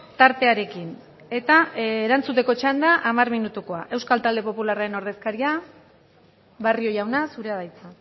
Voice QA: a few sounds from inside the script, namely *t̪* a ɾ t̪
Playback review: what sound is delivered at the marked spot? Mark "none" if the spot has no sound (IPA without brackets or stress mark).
t̪